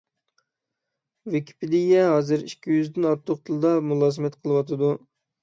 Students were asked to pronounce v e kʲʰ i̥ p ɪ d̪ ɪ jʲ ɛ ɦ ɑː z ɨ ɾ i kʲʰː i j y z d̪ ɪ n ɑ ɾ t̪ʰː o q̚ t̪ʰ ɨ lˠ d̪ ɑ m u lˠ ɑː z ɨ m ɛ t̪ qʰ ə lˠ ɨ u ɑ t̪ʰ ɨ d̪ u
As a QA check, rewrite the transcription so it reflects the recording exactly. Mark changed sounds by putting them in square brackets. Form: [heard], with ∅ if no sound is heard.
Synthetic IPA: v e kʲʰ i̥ p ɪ d̪ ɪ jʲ ɛ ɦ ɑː z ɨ ɾ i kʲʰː i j y z d̪ ɪ n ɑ ɾ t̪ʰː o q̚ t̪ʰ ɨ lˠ d̪ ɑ m u lˠ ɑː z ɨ m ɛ t̪ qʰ ə lˠ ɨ [w] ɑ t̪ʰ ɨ d̪ u